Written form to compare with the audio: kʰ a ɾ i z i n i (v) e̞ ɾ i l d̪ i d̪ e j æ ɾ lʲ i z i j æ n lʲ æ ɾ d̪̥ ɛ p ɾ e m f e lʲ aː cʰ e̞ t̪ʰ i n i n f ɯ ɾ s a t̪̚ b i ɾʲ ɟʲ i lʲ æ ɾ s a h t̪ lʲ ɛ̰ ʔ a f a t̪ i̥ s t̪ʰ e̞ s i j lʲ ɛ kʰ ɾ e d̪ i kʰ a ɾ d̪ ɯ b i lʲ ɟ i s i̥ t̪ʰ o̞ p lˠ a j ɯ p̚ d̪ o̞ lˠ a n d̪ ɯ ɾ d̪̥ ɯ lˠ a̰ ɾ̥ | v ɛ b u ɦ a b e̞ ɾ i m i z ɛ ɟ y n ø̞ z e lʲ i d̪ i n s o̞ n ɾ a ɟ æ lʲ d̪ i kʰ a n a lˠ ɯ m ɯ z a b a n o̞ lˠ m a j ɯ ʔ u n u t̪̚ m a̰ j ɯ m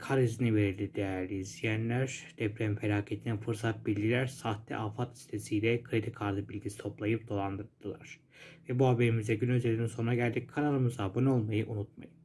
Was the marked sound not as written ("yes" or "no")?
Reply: no